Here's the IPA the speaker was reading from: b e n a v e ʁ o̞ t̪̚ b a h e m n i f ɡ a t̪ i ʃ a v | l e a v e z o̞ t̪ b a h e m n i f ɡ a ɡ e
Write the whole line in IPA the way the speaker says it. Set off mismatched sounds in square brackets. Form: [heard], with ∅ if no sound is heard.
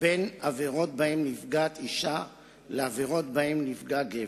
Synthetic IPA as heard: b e n a v e ʁ o̞ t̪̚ b a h e m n i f ɡ a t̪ i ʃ a [∅] | l e a v e [ʁ] o̞ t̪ b a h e m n i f ɡ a ɡ e